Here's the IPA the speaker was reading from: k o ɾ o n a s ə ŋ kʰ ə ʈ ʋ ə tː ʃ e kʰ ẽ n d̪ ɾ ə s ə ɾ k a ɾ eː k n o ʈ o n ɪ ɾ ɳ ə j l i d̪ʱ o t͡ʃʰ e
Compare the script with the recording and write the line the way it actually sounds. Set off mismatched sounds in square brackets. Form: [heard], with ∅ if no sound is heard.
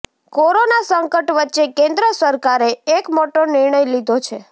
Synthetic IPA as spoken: k o ɾ o n a s ə ŋ [k] ə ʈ ʋ ə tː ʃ e [k] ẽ n d̪ ɾ ə s ə ɾ k a ɾ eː k [m] o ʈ o n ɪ ɾ ɳ ə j l i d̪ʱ o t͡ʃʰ e